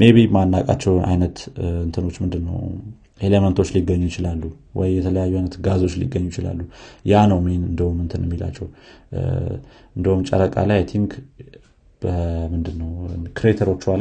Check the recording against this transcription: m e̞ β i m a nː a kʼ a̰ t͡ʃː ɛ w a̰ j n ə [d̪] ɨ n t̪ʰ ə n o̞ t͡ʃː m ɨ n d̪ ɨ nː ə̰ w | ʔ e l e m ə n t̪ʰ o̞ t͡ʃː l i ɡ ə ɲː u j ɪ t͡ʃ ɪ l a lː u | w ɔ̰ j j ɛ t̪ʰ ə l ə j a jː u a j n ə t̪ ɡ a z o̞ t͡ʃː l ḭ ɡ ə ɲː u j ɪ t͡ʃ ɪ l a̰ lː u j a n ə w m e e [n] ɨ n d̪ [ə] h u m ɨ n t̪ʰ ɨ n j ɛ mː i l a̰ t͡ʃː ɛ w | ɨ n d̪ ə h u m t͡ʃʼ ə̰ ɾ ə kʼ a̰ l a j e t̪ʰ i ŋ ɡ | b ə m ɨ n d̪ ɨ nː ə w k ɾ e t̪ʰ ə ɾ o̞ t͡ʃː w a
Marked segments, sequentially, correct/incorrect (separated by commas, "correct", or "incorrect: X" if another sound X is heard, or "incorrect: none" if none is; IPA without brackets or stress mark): incorrect: t̪, correct, correct